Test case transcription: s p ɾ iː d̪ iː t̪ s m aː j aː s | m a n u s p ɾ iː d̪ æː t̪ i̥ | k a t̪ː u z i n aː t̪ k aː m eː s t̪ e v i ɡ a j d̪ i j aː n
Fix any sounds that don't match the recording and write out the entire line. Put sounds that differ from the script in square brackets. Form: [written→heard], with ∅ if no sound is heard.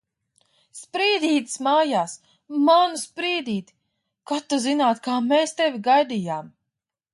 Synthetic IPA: s p ɾ iː d̪ iː t̪ s m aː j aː s | m a n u s p ɾ iː d̪ [æː→iː] t̪ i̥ | k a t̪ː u z i n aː t̪ k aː m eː s t̪ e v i ɡ a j d̪ i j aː [n→m]

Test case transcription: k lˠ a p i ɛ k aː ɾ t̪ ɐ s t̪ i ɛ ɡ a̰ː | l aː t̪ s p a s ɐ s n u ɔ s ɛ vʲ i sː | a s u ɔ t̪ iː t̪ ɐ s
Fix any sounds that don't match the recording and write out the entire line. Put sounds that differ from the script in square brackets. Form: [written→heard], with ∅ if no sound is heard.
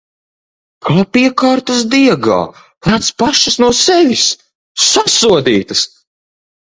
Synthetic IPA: k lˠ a p i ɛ k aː ɾ t̪ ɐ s [t̪→d̪] i ɛ ɡ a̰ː | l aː t̪ s p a [s→ʃ] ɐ s n u ɔ s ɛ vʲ i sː | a s u ɔ [t̪→d̪] iː t̪ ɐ s

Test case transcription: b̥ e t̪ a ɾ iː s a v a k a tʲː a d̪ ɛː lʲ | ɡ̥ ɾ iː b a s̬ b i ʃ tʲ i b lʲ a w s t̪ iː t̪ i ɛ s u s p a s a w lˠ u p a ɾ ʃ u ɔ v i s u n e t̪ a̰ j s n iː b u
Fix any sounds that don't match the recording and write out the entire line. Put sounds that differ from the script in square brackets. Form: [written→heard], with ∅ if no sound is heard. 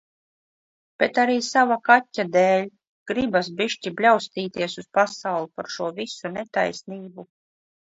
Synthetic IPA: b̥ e t̪ a ɾ iː s a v a k a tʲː a d̪ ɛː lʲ | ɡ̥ ɾ [iː→i] b a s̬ b i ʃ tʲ i b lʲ a w s t̪ iː t̪ i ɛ s u s p a s a w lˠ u p a ɾ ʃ u ɔ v i s u n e t̪ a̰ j s n iː b u

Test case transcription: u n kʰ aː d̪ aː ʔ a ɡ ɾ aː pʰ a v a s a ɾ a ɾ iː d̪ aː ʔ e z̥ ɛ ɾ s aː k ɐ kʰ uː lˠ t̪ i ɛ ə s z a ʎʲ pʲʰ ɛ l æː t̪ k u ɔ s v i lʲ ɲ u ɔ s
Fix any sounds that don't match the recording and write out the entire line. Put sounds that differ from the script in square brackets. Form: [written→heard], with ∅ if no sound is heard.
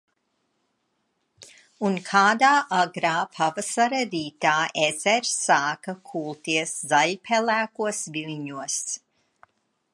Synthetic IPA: u n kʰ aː d̪ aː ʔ a ɡ ɾ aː pʰ a v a s a ɾ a ɾ iː [d̪→t̪] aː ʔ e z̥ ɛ ɾ s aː k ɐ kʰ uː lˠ t̪ i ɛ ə s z a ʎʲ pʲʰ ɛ l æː [t̪→∅] k u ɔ s v i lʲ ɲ u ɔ s

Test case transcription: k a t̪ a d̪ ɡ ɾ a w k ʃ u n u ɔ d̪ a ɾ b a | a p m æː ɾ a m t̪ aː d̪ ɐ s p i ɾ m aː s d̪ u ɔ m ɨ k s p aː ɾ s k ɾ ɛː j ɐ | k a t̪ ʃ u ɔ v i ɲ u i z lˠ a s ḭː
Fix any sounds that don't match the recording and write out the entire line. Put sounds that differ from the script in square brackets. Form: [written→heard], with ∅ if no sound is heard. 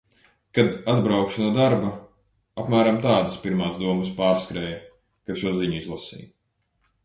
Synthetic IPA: k a [t̪→d̪] a d̪ [ɡ→b] ɾ a w k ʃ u n u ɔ d̪ a ɾ b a | a p m æː ɾ a m t̪ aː d̪ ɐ s p i ɾ m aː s d̪ u ɔ m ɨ [k→∅] s p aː ɾ s k ɾ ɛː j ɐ | k a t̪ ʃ u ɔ [v→z] i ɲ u i z lˠ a s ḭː

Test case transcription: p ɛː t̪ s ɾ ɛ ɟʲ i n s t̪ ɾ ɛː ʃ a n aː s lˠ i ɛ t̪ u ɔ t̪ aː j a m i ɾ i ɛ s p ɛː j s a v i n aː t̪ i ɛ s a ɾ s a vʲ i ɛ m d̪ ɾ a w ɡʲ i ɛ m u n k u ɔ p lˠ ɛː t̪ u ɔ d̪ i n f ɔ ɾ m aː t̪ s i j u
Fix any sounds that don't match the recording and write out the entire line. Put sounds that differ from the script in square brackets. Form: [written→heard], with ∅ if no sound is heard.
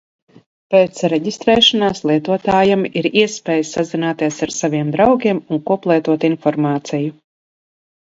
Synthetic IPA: p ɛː t̪ s ɾ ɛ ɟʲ i [n→∅] s t̪ ɾ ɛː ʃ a n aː s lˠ i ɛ t̪ u ɔ t̪ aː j a m i ɾ i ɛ s p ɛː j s a [v→z] i n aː t̪ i ɛ s a ɾ s a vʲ i ɛ m d̪ ɾ a w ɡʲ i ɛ m u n k u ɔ p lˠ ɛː t̪ u ɔ [d̪→t̪] i n f ɔ ɾ m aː t̪ s i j u

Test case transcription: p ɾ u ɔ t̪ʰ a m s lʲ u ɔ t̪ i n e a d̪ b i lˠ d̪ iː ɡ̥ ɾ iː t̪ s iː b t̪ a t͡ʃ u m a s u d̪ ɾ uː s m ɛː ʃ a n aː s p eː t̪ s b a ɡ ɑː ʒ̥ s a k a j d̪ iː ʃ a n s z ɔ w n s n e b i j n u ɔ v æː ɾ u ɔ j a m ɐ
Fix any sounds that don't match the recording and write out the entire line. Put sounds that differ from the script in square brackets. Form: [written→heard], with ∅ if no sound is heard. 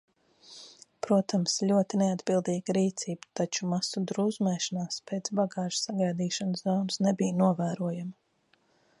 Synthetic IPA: p ɾ u ɔ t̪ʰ a m s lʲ u ɔ t̪ i n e a d̪ b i lˠ d̪ iː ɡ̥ ɾ iː t̪ s iː b t̪ a t͡ʃ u m a s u d̪ ɾ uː [s→z] m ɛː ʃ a n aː s p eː t̪ s b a ɡ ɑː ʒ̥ s a [k→ɡ] a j d̪ iː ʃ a n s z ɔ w n s n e b i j n u ɔ v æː ɾ u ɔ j a m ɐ

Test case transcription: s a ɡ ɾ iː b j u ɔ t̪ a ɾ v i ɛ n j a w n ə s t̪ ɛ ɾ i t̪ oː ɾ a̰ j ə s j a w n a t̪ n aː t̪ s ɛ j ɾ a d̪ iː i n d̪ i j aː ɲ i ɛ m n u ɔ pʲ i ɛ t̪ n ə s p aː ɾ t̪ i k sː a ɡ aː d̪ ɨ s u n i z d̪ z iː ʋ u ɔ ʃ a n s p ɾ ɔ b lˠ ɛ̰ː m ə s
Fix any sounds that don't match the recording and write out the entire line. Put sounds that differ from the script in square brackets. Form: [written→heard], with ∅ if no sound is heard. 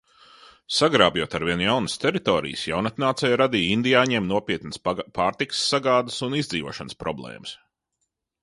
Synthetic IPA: s a ɡ ɾ [iː→aː] b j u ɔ t̪ a ɾ v i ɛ n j a w n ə s t̪ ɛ ɾ i t̪ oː ɾ [a̰→ḭ] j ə s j a w n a t̪ n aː t̪ s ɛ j ɾ a d̪ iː i n d̪ i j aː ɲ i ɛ m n u ɔ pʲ i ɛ t̪ n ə s p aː ɾ t̪ i k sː a ɡ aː d̪ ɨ s u n i z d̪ z iː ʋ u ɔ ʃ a n s p ɾ ɔ b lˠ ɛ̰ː m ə s

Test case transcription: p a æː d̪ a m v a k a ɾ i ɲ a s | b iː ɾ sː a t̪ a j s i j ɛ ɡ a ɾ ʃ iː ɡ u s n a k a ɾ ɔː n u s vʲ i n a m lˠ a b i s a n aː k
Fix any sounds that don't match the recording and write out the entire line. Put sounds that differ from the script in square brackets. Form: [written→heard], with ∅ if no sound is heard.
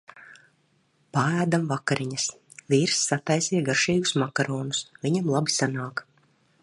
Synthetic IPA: p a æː d̪ a m v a k a ɾ i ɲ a s | [b→v] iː ɾ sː a t̪ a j s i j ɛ ɡ a ɾ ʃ iː ɡ u s [n→m] a k a ɾ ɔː n u s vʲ i [n→ɲ] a m lˠ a b i s a n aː k

